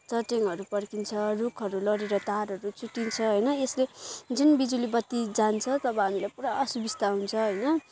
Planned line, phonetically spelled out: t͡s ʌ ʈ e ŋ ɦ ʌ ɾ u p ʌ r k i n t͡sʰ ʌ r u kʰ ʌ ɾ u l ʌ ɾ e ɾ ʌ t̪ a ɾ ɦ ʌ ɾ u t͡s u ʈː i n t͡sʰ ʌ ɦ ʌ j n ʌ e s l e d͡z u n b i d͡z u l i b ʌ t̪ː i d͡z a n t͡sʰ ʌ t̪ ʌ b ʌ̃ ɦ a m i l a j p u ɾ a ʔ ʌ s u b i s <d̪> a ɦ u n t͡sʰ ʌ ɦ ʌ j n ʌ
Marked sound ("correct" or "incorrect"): incorrect